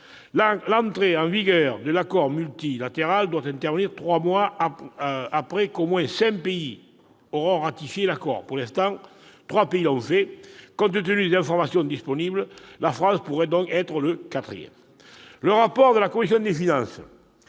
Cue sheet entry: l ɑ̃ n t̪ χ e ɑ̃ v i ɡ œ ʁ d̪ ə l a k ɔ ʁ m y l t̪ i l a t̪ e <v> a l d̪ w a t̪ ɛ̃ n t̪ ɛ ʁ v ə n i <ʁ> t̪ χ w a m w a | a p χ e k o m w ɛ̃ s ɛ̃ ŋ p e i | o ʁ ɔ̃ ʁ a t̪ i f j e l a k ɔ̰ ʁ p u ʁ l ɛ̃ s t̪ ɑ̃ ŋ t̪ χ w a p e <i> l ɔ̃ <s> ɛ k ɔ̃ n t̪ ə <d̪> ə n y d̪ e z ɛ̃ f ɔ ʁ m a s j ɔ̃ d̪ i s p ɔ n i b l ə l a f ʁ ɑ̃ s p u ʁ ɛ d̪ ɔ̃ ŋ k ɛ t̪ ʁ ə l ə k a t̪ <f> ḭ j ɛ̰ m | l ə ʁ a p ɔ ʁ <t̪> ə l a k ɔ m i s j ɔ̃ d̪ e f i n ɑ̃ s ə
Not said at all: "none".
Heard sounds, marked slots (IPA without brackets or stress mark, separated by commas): ʁ, ʁ, i, f, t̪, χ, d̪